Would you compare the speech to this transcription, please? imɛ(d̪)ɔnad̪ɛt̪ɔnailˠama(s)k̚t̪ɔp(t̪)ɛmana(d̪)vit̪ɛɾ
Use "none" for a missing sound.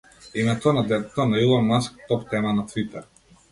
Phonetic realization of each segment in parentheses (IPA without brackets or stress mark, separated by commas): t̪, s, t̪, t̪